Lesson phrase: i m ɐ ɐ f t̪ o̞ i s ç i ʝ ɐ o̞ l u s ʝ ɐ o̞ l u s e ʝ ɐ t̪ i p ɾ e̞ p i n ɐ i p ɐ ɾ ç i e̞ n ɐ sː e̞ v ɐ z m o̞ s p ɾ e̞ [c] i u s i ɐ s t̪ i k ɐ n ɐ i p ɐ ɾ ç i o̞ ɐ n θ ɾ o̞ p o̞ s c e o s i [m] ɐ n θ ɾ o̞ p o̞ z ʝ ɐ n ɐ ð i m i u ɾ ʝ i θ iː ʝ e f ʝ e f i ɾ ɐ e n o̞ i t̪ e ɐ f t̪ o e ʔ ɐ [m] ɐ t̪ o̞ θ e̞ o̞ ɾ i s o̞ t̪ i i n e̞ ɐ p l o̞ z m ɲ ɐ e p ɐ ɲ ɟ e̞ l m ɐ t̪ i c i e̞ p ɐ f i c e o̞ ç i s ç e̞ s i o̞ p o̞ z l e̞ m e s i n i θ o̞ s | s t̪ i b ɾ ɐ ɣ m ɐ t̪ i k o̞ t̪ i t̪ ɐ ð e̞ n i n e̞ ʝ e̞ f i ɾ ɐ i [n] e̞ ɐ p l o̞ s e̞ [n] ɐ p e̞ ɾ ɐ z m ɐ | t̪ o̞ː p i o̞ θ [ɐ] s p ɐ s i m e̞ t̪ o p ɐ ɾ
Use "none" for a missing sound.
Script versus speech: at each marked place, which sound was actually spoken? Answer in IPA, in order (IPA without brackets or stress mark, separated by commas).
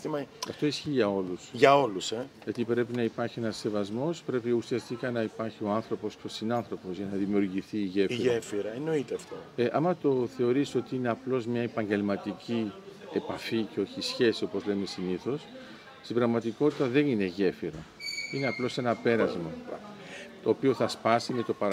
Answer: p, n, m, n, n, ɐ